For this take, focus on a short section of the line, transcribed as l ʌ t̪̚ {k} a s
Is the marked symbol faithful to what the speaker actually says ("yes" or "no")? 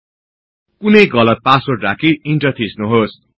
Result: no